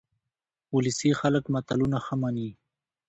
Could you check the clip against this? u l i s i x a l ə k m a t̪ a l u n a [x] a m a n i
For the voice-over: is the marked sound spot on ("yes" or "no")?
yes